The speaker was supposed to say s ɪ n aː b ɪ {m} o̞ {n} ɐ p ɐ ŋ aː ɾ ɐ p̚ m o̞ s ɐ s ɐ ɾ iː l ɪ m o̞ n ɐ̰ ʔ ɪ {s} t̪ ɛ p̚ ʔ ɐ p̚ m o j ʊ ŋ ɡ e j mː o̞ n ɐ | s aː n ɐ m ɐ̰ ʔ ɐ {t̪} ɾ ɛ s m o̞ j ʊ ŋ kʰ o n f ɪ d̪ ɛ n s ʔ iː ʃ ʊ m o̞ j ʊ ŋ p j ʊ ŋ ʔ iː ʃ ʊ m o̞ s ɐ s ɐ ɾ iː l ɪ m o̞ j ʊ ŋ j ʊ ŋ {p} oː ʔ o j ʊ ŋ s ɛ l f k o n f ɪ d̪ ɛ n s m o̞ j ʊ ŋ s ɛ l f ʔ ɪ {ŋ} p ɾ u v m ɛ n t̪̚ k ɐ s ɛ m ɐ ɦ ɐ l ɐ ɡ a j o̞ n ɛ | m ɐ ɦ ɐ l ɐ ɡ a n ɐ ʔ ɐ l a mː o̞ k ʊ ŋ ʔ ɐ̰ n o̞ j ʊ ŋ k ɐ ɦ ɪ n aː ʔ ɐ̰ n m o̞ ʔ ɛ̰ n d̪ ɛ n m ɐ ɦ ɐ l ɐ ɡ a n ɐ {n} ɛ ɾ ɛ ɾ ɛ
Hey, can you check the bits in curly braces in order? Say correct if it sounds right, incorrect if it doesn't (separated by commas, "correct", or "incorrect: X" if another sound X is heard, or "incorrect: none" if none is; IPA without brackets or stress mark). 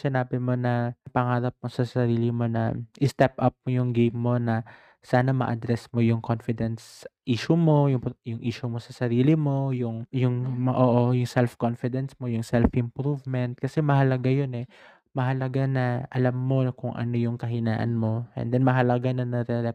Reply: correct, correct, correct, incorrect: d̪, incorrect: ʔ, incorrect: m, correct